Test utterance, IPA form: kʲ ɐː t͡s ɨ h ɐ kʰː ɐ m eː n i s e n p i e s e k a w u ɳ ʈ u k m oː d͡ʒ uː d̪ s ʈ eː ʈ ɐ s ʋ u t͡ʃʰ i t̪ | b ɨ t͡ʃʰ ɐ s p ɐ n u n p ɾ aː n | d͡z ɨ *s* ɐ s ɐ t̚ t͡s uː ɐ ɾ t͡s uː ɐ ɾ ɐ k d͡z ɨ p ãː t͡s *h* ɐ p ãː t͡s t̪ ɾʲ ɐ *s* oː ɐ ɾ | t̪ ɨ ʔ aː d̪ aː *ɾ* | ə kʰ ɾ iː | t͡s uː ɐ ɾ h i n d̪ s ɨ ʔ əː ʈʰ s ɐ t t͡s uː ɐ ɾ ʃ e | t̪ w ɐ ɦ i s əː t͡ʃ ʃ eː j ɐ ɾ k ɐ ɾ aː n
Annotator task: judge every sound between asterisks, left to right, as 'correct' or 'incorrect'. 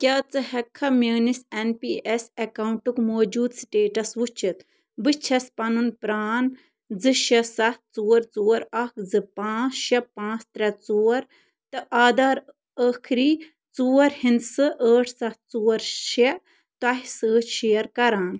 incorrect, incorrect, incorrect, correct

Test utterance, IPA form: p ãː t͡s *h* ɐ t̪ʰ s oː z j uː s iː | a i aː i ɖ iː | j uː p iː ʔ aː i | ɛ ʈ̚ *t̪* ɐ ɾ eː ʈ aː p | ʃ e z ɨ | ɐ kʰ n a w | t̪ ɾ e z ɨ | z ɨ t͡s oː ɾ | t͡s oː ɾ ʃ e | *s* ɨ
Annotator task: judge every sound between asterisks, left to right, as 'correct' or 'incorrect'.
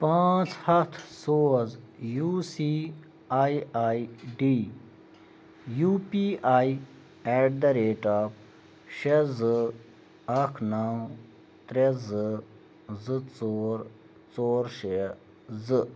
correct, incorrect, incorrect

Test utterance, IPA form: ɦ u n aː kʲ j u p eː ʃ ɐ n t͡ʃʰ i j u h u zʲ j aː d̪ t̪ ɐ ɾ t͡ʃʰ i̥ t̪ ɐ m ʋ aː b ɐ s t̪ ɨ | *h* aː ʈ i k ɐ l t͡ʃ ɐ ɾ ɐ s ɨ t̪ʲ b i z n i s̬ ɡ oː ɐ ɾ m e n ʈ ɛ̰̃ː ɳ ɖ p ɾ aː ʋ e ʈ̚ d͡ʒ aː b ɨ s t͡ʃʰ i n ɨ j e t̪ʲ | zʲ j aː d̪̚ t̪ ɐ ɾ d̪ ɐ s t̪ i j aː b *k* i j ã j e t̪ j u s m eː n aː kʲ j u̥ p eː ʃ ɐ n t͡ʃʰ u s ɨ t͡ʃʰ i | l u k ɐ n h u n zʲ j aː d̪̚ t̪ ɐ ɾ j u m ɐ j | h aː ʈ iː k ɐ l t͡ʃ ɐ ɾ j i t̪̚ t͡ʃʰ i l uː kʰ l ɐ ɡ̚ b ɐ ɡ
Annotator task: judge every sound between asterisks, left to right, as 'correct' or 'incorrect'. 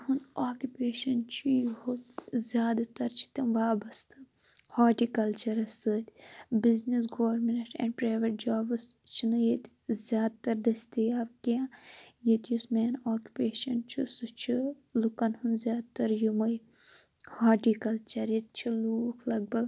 correct, correct

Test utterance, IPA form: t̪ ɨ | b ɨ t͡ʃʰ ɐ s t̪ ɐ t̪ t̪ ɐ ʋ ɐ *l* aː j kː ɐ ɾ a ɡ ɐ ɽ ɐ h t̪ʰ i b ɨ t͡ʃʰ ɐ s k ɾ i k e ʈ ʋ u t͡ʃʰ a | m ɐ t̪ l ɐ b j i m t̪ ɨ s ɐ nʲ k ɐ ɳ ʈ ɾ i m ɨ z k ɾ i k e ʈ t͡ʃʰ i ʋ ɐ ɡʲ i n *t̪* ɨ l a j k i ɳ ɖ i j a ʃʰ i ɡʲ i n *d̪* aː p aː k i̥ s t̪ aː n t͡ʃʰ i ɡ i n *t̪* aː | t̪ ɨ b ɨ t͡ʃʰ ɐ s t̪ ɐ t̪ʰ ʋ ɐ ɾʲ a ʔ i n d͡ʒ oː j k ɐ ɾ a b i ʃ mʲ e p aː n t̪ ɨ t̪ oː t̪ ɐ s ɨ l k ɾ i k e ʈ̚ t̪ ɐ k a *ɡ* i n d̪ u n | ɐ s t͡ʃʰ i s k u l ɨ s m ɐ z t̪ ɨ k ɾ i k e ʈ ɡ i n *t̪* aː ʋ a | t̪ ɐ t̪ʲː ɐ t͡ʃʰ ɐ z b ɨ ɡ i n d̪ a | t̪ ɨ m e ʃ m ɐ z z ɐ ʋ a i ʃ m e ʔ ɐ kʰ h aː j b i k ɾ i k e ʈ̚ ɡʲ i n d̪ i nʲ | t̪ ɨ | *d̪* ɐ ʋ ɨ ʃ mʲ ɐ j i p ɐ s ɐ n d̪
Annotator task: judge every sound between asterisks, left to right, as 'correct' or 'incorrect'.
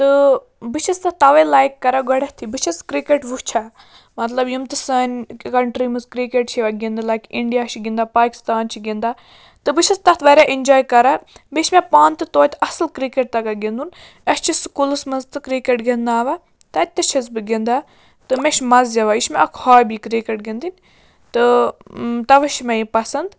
correct, incorrect, correct, incorrect, correct, incorrect, incorrect

